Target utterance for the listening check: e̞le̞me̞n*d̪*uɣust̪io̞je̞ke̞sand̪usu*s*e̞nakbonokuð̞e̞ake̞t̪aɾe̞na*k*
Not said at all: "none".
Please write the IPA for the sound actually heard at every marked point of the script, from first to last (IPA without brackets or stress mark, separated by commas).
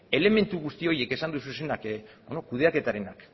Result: t̪, s, k